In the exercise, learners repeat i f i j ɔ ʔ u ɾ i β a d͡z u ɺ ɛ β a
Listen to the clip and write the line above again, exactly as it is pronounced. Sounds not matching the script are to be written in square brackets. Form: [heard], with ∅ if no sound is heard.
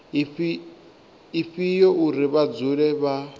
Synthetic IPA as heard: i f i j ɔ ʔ u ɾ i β a d͡z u ɺ ɛ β a